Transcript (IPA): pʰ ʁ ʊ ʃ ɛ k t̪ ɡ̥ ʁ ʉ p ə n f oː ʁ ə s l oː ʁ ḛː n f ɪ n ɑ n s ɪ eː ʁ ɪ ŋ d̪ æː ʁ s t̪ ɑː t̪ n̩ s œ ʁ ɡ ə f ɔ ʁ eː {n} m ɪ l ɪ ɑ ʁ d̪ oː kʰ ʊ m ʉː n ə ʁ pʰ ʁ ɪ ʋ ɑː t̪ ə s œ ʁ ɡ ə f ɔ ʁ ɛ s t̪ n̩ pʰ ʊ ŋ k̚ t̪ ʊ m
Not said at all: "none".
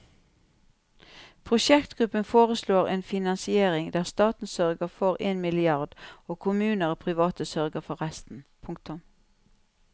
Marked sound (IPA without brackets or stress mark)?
n